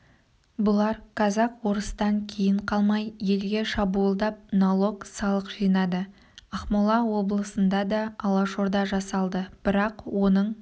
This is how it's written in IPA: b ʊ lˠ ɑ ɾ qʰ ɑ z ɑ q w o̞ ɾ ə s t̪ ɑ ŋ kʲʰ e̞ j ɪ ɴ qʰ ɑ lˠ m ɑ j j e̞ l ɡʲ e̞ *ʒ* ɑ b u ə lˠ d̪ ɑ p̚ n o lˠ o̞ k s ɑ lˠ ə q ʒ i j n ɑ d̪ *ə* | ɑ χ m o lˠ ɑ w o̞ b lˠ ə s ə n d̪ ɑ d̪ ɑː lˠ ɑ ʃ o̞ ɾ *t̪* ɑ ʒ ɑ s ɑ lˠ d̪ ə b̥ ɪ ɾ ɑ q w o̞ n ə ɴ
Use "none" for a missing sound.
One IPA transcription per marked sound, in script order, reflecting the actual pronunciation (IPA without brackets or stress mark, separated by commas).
ʃ, ə, d̪